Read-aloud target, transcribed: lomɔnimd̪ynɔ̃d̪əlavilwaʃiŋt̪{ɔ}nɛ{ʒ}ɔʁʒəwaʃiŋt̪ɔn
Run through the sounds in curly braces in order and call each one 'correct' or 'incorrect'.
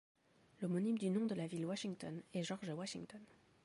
correct, correct

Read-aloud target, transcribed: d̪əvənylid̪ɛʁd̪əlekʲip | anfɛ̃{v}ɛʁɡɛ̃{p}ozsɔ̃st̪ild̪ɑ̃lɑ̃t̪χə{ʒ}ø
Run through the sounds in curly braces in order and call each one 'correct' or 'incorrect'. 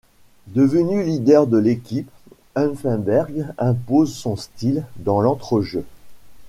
incorrect: b, correct, correct

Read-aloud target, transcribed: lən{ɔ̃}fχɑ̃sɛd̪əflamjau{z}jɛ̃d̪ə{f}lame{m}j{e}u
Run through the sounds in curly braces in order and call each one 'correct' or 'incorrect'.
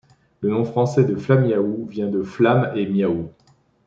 correct, incorrect: v, correct, correct, incorrect: a

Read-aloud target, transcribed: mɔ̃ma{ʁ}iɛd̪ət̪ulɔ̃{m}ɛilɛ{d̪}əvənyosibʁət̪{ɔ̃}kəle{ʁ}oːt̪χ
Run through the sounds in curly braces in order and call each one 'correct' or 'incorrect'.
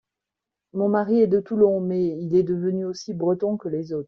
correct, correct, correct, correct, incorrect: z

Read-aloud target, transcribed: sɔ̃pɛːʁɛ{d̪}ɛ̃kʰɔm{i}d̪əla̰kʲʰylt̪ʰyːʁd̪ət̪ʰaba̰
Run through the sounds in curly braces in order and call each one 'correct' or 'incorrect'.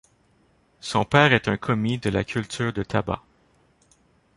incorrect: t̪, correct

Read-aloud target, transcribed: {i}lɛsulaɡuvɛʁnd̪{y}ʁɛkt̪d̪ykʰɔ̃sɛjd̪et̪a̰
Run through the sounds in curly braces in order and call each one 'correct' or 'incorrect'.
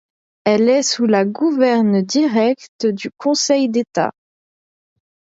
incorrect: ɛ, incorrect: i

